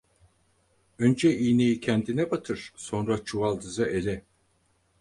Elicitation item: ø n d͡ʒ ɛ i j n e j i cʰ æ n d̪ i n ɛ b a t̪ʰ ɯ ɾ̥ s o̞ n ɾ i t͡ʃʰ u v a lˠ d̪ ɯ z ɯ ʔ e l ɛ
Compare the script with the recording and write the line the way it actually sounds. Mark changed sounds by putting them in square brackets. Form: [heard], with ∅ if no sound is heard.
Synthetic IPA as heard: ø n d͡ʒ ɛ i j n e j i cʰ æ n d̪ i n ɛ b a t̪ʰ ɯ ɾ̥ s o̞ n ɾ [a] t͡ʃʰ u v a lˠ d̪ ɯ z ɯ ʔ e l ɛ